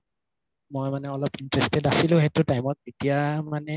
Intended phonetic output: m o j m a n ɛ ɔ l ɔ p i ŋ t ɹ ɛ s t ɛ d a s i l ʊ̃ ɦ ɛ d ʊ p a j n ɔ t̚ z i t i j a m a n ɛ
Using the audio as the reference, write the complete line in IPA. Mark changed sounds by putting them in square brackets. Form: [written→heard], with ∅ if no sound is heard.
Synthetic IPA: m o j m a n ɛ ɔ l ɔ p i [ŋ→n] t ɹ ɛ s t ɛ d a s i l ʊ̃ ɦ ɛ [d→t] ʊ [p→t] a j [n→m] ɔ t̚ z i t i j a m a n ɛ